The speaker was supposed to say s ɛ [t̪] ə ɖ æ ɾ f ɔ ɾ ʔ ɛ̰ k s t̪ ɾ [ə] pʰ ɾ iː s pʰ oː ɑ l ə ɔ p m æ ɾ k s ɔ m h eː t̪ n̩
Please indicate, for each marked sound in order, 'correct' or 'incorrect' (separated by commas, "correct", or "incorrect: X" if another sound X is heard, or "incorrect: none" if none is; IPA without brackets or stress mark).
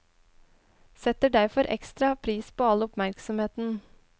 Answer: correct, incorrect: ɑ